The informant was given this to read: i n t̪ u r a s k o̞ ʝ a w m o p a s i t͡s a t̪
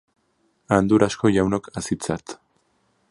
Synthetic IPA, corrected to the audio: a n d̪ u ɾ a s k o̞ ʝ a w n o k a s i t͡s a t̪